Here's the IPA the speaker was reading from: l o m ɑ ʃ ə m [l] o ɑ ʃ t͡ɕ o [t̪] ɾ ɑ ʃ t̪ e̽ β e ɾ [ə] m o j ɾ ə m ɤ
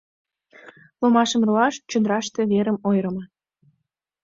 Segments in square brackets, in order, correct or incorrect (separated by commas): incorrect, incorrect, correct